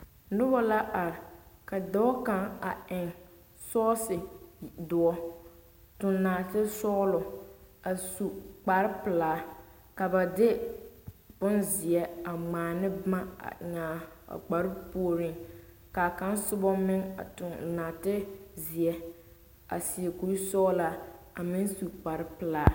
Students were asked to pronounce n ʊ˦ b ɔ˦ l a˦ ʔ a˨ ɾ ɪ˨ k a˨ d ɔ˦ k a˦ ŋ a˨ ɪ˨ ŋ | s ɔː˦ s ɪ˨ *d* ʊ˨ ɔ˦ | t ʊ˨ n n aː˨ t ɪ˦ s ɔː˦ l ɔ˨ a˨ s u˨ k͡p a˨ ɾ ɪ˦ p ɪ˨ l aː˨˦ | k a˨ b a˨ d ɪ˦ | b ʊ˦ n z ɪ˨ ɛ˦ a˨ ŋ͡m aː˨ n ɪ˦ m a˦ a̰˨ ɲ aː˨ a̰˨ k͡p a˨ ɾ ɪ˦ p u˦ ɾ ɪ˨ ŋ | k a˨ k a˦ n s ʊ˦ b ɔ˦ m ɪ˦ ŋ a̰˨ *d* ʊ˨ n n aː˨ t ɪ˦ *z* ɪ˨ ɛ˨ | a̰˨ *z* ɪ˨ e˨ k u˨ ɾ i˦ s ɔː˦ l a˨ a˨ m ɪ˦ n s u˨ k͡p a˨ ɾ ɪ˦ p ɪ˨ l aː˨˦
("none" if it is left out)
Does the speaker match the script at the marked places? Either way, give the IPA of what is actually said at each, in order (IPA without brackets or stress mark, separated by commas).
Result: d, t, z, s